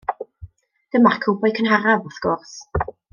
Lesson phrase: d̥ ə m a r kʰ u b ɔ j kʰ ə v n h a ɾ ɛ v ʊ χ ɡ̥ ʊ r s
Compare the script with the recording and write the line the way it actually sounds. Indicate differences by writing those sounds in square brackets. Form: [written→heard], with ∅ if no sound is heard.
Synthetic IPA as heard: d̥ ə m a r kʰ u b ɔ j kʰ ə [v→∅] n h a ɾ [ɛ→a] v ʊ [χ→θ] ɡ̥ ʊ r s